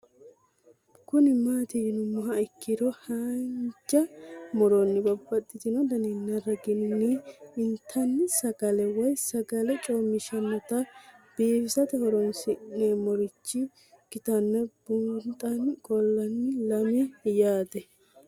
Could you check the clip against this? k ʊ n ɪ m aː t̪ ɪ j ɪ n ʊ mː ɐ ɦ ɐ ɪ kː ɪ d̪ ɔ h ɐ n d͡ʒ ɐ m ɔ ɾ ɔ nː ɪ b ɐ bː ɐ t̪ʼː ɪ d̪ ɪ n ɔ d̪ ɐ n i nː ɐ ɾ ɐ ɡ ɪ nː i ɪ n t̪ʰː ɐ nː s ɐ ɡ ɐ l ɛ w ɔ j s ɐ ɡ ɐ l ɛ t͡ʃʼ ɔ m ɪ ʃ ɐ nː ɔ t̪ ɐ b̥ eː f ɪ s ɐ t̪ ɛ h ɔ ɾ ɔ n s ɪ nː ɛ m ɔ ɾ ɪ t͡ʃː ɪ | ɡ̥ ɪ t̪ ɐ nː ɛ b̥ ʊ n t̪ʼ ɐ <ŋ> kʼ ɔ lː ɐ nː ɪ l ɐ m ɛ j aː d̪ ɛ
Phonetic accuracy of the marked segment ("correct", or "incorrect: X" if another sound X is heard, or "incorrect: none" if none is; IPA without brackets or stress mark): incorrect: n